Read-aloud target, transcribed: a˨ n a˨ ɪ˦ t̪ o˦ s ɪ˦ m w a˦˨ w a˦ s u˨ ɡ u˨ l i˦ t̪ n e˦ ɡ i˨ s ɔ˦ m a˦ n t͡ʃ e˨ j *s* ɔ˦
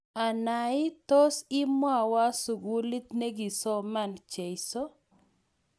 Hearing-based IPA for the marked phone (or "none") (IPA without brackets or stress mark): s